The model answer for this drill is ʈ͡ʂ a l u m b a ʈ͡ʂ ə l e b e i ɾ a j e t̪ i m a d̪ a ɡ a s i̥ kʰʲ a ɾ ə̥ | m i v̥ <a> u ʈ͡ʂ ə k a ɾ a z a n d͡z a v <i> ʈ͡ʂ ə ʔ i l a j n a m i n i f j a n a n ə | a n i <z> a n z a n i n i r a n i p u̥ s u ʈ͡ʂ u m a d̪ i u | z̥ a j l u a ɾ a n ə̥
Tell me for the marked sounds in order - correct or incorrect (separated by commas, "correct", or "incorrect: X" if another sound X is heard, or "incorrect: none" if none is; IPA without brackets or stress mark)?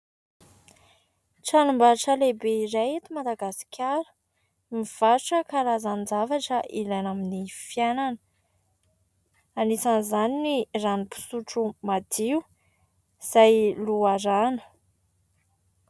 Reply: correct, incorrect: a, incorrect: s